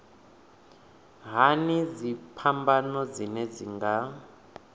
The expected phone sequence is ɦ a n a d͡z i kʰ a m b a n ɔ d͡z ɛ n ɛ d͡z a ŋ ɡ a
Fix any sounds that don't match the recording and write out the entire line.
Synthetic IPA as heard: ɦ a n i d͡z i pʰ a m b a n ɔ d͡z i n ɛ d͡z i ŋ ɡ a